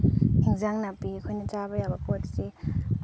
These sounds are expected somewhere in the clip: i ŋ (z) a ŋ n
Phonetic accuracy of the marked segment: correct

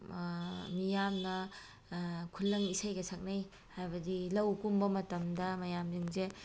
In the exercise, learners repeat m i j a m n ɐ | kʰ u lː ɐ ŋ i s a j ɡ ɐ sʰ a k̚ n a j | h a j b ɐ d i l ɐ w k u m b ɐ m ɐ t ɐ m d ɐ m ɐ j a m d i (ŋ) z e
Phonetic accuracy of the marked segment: correct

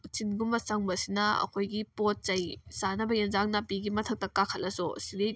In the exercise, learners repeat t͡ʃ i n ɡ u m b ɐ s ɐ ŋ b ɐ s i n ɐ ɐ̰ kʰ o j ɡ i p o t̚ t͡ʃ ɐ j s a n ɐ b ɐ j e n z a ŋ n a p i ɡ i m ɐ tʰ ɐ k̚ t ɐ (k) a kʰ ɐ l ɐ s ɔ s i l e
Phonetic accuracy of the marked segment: correct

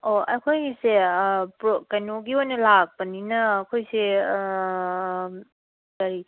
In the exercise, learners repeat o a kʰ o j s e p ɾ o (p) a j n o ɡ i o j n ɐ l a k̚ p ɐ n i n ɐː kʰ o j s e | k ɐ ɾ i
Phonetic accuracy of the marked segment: incorrect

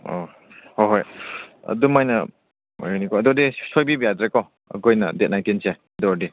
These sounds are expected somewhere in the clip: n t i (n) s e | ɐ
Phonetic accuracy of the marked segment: correct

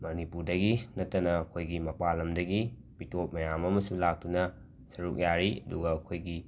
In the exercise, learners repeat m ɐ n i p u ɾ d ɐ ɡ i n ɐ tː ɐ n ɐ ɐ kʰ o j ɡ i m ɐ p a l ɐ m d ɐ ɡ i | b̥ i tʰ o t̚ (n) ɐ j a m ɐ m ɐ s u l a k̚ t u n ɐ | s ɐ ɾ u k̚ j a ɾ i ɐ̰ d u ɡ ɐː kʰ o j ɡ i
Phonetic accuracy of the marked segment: incorrect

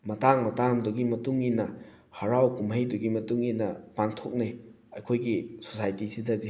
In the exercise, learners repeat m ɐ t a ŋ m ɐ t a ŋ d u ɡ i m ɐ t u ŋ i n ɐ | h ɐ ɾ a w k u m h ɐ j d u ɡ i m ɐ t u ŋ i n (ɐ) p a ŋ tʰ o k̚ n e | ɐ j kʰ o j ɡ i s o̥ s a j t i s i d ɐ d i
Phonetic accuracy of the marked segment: correct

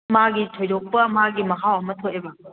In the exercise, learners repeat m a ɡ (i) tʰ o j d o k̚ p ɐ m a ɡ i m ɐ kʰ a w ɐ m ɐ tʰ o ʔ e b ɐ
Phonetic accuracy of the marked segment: correct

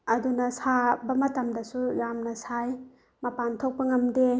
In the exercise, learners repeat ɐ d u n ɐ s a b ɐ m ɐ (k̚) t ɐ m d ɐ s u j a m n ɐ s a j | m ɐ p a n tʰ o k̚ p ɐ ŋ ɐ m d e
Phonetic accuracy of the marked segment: incorrect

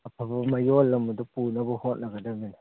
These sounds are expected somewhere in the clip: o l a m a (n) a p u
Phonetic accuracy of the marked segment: incorrect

